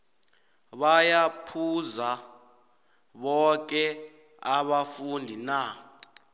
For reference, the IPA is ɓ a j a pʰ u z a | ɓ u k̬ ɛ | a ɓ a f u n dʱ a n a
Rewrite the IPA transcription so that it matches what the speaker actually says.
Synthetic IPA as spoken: ɓ a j a pʰ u z a | ɓ ɔ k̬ ɛ | a ɓ a f u n dʱ i n a